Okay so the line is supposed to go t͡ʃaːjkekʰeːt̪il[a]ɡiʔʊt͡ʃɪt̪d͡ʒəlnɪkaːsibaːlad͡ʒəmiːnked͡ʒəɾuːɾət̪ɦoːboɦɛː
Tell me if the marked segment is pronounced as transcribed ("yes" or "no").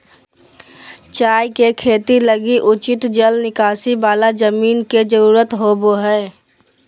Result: no